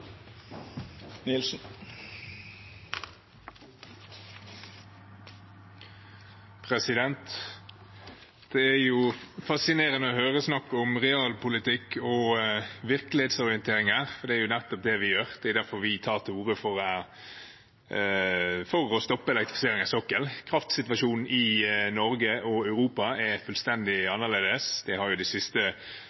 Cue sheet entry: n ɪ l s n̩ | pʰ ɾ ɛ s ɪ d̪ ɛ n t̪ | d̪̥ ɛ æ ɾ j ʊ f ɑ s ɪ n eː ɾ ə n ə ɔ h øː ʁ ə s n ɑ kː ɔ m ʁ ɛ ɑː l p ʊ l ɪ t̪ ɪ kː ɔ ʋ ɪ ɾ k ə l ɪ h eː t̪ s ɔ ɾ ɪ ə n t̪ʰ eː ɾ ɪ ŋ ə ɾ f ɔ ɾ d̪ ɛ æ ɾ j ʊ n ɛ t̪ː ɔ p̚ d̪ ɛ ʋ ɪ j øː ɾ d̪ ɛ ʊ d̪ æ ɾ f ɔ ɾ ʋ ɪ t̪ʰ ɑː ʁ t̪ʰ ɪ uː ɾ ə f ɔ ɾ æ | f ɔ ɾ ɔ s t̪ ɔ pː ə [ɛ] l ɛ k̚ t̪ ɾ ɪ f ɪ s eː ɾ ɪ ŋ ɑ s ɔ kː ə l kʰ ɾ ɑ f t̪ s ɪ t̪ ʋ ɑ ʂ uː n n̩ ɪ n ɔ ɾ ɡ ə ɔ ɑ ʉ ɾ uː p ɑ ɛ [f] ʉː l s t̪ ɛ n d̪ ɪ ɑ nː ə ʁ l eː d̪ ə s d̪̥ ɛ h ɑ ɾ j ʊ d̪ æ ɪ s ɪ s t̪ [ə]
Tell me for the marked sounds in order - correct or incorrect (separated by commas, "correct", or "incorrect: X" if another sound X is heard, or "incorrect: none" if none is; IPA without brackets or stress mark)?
correct, correct, correct